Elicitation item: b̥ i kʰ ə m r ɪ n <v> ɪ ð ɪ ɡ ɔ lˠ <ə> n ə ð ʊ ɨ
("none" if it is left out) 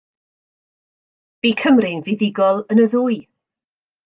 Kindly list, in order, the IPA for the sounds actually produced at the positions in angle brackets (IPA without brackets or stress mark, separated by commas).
v, ə